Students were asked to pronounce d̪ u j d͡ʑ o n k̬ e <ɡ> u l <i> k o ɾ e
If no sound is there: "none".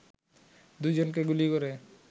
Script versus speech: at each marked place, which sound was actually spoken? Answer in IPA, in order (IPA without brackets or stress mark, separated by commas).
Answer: ɡ, i